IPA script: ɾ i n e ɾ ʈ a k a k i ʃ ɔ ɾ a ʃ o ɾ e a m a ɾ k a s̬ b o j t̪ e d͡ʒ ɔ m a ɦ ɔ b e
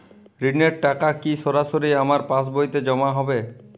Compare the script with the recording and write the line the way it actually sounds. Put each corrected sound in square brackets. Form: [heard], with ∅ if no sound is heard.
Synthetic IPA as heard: ɾ i n e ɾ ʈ a k a k i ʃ ɔ ɾ a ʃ o ɾ [i] a m a ɾ [p] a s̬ b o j t̪ e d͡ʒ ɔ m a ɦ ɔ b e

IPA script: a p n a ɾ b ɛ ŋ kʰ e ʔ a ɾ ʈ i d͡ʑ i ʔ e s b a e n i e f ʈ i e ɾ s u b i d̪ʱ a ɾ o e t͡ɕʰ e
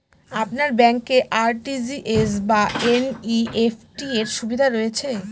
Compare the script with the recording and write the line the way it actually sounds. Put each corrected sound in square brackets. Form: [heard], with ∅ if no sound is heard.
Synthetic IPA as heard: a p n a ɾ b ɛ ŋ [k] e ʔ a ɾ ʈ i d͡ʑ i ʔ e s b a e n i e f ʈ i e ɾ [ʃ] u b i d̪ʱ a ɾ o e t͡ɕʰ e

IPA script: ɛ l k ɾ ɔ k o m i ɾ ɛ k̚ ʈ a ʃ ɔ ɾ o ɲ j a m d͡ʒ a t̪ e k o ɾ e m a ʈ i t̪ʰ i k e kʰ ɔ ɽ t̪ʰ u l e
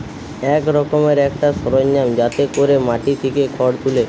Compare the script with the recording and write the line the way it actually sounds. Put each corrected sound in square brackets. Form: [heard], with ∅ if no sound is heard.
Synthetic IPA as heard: ɛ [∅] k ɾ ɔ k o m [e] ɾ ɛ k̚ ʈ a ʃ ɔ ɾ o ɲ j a m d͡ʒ a t̪ e k o ɾ e m a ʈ i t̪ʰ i k e kʰ ɔ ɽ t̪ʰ u l e

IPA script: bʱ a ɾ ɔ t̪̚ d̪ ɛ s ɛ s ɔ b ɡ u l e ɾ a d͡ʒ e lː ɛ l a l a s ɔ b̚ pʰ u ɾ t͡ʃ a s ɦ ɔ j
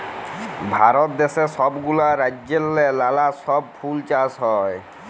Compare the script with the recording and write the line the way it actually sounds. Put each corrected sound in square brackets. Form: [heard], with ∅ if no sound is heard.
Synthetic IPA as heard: bʱ a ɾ ɔ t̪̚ d̪ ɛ s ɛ s ɔ b ɡ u l [a] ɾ a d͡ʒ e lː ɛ l a l a s ɔ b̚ pʰ u [l] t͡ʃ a s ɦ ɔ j

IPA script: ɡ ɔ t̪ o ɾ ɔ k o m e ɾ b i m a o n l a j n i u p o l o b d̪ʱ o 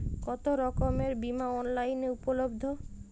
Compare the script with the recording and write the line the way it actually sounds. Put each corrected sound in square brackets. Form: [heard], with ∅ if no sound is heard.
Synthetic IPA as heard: [k] ɔ t̪ o ɾ ɔ k o m e ɾ b i m a [ɔ] n l a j n [e] u p o l o b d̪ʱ o

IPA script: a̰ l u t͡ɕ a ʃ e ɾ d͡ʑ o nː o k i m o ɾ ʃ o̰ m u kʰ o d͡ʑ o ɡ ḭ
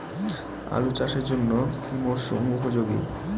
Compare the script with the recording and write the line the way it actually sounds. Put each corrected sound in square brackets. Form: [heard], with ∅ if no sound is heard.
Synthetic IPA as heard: a̰ l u t͡ɕ a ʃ e ɾ d͡ʑ o nː o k i m o ɾ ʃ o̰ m u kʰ o d͡ʑ o ɡ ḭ

